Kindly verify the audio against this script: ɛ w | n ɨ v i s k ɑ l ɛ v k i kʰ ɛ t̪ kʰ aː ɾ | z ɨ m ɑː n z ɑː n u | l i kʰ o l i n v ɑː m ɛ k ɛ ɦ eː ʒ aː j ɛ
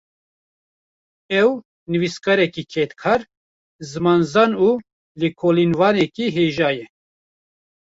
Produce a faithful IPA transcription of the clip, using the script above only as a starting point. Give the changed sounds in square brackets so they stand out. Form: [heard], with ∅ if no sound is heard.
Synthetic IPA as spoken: ɛ w | n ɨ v i s k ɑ [ɾ] ɛ [∅] k i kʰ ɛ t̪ kʰ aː ɾ | z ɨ m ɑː n z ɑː n u | l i kʰ o l i n v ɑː [n] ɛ k [i] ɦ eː ʒ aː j ɛ